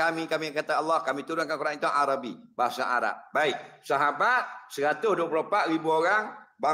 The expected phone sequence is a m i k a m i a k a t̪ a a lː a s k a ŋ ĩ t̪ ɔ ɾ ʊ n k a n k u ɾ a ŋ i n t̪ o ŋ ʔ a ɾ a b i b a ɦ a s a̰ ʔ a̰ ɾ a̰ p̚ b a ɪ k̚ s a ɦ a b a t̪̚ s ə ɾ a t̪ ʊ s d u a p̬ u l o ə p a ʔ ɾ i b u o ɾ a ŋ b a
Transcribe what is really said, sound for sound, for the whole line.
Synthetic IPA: a m i k a m i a k a t̪ a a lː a h k a m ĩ t̪ u ɾ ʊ n k a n k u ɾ a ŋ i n t̪ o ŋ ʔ a ɾ a b i b a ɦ a s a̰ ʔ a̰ ɾ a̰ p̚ b a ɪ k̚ s a ɦ a b a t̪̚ s ə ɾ a t̪ ʊ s d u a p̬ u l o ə p a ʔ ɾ i b u o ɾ a ŋ b a